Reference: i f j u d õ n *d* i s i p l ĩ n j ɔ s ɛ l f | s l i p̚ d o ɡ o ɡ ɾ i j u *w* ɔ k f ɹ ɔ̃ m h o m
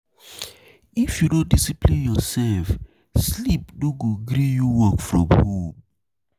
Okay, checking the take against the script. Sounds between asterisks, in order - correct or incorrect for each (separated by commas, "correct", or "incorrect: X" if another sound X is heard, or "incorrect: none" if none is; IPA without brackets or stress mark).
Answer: correct, correct